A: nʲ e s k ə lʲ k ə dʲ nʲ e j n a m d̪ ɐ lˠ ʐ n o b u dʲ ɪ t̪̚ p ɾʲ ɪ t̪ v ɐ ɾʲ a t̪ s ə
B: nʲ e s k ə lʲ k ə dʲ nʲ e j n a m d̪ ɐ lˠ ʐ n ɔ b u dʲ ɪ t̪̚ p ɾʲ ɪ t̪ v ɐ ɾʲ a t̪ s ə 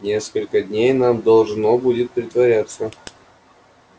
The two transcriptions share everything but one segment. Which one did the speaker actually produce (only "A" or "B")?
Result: A